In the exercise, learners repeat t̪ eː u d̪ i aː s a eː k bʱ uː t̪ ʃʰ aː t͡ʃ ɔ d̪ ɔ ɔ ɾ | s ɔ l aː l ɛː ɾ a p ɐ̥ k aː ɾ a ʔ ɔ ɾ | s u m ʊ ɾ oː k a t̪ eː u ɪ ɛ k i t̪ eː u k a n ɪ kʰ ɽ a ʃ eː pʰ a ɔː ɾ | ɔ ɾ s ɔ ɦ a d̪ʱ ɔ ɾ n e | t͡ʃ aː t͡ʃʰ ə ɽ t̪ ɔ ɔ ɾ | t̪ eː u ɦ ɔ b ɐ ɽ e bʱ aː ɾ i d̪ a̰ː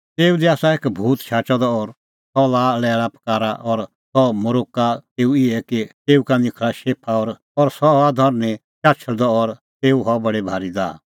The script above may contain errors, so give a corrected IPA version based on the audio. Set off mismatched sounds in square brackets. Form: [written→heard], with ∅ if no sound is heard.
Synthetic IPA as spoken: t̪ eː u d̪ i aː s a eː k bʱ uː t̪ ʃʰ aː t͡ʃ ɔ d̪ ɔ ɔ ɾ | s ɔ l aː l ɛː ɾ a p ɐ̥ k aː ɾ a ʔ ɔ ɾ | s [u→ɔ] m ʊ ɾ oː k a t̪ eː u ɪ ɛ k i t̪ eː u k a n ɪ kʰ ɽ a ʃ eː pʰ a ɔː ɾ | ɔ ɾ s ɔ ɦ a d̪ʱ ɔ ɾ n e | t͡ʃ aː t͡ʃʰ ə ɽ [t̪→d̪] ɔ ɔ ɾ | t̪ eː u ɦ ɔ b ɐ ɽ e bʱ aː ɾ i d̪ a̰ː

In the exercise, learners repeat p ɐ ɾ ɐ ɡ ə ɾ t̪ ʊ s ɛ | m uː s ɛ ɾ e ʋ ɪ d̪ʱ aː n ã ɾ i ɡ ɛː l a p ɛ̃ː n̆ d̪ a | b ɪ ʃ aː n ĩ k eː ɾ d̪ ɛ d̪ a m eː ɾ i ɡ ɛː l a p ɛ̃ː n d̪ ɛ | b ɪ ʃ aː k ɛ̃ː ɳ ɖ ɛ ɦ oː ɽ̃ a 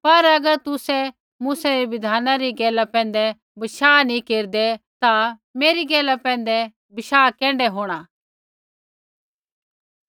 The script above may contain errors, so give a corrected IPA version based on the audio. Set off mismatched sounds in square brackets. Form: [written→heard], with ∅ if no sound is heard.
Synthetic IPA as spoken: p ɐ ɾ ɐ ɡ ə ɾ t̪ ʊ s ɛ | m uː s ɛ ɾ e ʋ ɪ d̪ʱ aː n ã ɾ i ɡ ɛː l a p ɛ̃ː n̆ d̪ [a→ɛ] | b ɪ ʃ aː n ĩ k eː ɾ d̪ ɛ [d̪→t̪] a m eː ɾ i ɡ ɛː l a p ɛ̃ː n d̪ ɛ | b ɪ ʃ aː k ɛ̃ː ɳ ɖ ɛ ɦ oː ɽ̃ a

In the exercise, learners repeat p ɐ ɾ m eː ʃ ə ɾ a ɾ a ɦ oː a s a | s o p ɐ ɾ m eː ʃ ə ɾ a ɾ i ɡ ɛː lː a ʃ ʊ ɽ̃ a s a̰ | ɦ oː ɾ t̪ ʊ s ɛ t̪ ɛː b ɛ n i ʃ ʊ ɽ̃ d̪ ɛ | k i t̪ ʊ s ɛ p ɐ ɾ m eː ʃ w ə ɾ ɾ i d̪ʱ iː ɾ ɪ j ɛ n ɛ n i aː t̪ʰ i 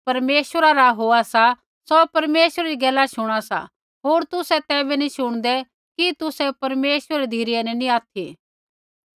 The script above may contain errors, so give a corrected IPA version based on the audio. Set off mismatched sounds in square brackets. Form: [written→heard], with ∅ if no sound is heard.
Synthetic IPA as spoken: p ɐ ɾ m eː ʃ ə ɾ a ɾ a ɦ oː a s a | s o p ɐ ɾ m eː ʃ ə ɾ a ɾ i ɡ ɛː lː a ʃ ʊ ɽ̃ a s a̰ | ɦ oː ɾ t̪ ʊ s ɛ t̪ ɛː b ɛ n i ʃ ʊ ɽ̃ d̪ ɛ | k i t̪ ʊ s ɛ p ɐ ɾ m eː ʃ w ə ɾ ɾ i d̪ʱ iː ɾ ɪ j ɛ n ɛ n i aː t̪ʰ i

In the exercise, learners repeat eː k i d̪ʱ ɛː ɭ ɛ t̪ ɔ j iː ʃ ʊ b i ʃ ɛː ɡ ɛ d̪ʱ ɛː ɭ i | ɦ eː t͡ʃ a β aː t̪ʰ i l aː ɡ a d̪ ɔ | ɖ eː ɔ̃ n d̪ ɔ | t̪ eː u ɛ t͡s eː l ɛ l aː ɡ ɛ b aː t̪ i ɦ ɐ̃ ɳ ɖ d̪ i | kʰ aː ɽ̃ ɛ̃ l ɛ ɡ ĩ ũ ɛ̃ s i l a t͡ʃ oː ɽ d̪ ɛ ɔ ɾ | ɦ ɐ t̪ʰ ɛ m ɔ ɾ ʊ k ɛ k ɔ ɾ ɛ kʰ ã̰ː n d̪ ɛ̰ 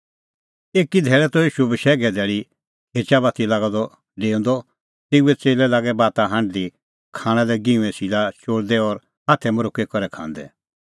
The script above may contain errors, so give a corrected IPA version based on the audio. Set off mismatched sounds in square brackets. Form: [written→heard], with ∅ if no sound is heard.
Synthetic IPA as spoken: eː k i d̪ʱ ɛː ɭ ɛ t̪ ɔ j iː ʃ [ʊ→u] b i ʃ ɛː ɡ ɛ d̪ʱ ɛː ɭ i | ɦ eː t͡ʃ a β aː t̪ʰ i l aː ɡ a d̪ ɔ | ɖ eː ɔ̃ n d̪ ɔ | t̪ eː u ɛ t͡s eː l ɛ l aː ɡ ɛ b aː t̪ [i→a] ɦ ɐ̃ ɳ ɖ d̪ i | kʰ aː ɽ̃ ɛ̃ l ɛ ɡ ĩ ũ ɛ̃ s i l a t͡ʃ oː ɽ d̪ ɛ ɔ ɾ | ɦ [ɐ→a] t̪ʰ ɛ m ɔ ɾ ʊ k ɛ k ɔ ɾ ɛ kʰ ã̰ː n d̪ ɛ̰

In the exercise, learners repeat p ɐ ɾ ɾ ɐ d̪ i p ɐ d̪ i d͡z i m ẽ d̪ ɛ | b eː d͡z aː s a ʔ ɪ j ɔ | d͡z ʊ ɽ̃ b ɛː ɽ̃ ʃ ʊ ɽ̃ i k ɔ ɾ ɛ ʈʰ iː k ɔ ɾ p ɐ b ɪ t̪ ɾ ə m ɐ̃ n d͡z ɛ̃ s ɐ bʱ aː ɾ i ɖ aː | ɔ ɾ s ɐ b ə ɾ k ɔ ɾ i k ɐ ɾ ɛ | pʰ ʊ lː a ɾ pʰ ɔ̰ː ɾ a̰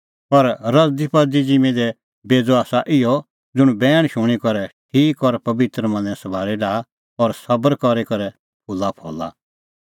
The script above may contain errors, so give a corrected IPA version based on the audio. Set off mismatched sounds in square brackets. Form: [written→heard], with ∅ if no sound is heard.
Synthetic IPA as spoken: p ɐ ɾ ɾ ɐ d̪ i p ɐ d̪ i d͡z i m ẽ d̪ ɛ | b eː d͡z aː s a ʔ ɪ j ɔ | d͡z ʊ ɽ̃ b ɛː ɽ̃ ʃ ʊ ɽ̃ i k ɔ ɾ ɛ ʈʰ iː k ɔ ɾ p ɐ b ɪ t̪ ɾ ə m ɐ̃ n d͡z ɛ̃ s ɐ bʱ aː ɾ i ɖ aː | ɔ ɾ s ɐ b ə ɾ k ɔ ɾ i k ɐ ɾ ɛ | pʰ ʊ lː a [ɾ→∅] pʰ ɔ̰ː [ɾ→l] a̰

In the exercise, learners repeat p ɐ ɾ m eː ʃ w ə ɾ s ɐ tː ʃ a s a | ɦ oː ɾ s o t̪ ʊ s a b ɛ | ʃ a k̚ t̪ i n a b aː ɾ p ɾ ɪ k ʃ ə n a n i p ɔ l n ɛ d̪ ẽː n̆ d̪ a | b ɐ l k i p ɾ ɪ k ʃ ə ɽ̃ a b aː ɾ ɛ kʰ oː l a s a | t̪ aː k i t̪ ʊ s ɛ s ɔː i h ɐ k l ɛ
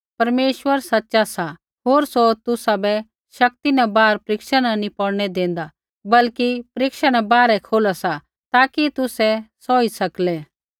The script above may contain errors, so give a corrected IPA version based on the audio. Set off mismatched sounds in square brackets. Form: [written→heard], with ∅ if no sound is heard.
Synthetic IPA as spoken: p ɐ ɾ m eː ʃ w ə ɾ s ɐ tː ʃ a s a | ɦ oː ɾ s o t̪ ʊ s a b ɛ | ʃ [a→ɐ] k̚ t̪ i n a b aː ɾ p ɾ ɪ k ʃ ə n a n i p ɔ [l→ɽ] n ɛ d̪ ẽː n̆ d̪ a | b ɐ l k i p ɾ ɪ k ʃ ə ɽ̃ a b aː ɾ ɛ kʰ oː l a s a | t̪ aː k i t̪ ʊ s ɛ s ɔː i [h→s] ɐ k l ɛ

